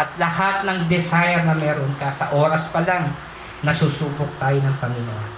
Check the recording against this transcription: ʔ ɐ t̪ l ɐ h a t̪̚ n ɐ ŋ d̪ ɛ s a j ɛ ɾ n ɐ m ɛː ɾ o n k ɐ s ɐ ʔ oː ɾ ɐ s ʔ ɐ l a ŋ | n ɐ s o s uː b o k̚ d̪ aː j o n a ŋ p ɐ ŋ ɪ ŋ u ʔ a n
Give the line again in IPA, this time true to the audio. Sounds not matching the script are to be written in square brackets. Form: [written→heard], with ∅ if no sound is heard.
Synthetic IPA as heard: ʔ ɐ t̪ l ɐ h a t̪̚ n ɐ ŋ d̪ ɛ s a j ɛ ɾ n ɐ m ɛː ɾ o n k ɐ s ɐ ʔ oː ɾ ɐ s [ʔ→p] ɐ l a ŋ | n ɐ s [o→u] s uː b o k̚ [d̪→t̪] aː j o n [a→ɐ] ŋ p ɐ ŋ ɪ [ŋ→n] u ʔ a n